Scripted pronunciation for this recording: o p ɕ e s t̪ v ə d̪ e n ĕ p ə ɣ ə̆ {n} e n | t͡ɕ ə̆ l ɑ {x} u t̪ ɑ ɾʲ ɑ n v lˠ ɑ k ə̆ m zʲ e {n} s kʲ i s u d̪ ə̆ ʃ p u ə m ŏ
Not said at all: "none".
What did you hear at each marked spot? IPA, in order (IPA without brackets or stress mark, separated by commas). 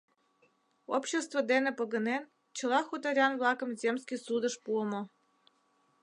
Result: n, x, m